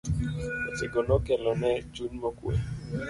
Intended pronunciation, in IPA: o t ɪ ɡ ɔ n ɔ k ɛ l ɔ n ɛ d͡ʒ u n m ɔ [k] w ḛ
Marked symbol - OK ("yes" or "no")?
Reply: yes